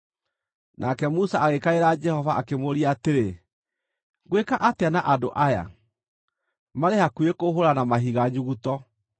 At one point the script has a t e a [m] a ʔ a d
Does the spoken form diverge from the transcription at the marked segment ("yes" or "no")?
yes